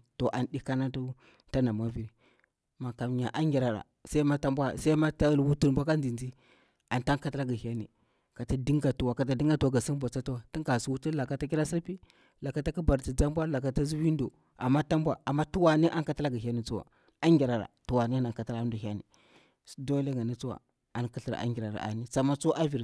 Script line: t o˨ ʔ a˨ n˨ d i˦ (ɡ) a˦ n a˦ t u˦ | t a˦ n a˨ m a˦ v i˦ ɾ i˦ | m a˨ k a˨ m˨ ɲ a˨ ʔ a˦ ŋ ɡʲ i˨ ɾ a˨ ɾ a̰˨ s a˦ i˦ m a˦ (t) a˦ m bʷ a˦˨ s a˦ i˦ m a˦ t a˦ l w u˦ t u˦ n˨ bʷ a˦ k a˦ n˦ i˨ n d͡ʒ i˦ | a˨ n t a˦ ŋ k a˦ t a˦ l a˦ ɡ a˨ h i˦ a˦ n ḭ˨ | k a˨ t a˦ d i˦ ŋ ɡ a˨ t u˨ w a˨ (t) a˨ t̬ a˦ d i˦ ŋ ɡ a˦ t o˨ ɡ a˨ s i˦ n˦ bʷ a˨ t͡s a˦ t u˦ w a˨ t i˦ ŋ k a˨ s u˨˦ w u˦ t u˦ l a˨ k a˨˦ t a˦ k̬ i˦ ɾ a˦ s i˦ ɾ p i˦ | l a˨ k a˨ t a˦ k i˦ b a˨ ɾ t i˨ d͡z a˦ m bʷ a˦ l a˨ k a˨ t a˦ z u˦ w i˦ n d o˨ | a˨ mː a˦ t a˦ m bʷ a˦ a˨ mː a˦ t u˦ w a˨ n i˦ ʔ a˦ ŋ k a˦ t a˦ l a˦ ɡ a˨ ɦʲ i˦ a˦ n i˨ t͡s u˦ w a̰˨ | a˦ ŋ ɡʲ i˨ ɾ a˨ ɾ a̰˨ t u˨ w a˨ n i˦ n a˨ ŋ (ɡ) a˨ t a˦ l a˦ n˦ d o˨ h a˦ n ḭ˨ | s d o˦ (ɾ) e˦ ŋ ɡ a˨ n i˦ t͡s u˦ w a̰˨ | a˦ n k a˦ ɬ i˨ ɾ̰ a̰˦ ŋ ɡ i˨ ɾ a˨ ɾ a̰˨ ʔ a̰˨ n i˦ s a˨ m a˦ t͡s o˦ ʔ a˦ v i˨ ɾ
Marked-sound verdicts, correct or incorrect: incorrect: k, correct, incorrect: k, incorrect: k, incorrect: l

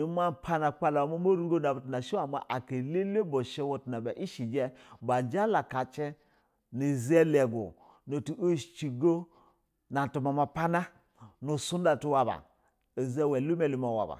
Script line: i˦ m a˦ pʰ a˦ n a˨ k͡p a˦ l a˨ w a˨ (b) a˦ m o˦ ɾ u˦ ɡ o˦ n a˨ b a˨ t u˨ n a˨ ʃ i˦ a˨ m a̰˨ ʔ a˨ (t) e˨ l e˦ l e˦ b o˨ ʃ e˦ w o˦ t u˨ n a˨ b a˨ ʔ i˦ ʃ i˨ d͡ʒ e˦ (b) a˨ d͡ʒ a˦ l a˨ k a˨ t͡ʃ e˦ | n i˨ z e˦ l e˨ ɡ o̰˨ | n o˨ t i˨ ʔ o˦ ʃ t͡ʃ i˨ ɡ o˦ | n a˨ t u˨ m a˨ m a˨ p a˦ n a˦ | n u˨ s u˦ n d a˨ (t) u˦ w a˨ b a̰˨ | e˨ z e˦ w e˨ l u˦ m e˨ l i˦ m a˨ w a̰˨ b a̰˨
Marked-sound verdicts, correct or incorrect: incorrect: m, incorrect: k, correct, correct

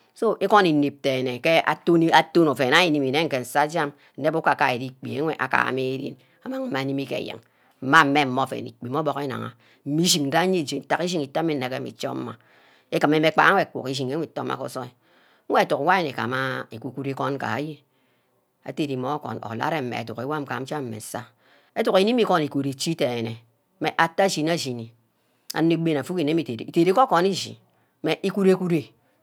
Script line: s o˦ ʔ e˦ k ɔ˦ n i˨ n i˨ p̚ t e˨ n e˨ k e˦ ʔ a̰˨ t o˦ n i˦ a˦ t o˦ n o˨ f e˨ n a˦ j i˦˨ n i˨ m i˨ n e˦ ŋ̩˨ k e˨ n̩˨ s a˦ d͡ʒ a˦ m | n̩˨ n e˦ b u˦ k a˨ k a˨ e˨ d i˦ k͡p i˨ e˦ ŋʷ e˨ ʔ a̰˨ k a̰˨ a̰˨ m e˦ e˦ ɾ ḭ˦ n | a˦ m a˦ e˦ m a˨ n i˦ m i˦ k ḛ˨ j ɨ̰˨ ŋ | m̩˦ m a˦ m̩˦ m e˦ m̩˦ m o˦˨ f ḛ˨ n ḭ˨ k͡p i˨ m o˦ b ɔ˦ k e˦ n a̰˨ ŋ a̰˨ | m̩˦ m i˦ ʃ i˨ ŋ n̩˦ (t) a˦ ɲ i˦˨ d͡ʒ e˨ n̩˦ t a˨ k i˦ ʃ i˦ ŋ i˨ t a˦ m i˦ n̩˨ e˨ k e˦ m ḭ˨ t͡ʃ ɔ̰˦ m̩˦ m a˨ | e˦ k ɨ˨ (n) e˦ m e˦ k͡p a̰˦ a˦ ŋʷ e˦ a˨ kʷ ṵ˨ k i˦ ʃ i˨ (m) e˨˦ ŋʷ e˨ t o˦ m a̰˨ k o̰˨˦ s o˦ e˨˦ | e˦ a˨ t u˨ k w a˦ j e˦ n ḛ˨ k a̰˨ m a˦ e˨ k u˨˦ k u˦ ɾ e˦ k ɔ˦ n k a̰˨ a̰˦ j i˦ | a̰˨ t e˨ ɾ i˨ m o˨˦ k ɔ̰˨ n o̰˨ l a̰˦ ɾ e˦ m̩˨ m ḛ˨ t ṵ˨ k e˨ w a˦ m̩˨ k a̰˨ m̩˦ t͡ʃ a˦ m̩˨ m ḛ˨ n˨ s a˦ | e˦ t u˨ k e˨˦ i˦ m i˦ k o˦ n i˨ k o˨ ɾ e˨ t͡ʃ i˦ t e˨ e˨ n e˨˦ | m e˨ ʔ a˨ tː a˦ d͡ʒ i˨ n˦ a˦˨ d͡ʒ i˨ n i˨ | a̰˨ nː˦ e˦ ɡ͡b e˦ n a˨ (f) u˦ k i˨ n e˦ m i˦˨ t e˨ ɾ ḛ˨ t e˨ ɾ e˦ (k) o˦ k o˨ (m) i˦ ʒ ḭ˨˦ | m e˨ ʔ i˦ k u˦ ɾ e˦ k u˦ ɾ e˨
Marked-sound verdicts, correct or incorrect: incorrect: d, incorrect: m, incorrect: ŋ, correct, correct, incorrect: n

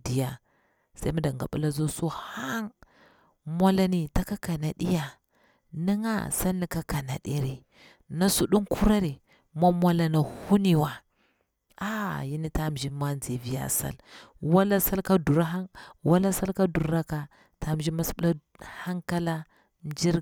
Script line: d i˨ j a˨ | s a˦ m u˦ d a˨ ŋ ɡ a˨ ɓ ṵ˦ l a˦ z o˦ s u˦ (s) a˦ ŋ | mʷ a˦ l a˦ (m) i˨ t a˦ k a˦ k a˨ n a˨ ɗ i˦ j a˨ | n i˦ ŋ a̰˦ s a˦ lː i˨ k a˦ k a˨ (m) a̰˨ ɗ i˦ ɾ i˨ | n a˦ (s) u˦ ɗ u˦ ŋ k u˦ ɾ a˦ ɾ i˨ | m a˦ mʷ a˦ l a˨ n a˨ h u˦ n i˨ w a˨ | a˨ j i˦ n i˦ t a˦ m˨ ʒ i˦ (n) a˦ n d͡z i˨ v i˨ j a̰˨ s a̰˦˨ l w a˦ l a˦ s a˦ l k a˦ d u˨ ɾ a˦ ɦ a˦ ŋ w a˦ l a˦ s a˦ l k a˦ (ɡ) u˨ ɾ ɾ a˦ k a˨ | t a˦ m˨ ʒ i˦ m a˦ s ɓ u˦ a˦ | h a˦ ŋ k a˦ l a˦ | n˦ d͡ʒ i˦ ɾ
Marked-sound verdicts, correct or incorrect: incorrect: h, incorrect: n, incorrect: n, correct, incorrect: m, incorrect: d

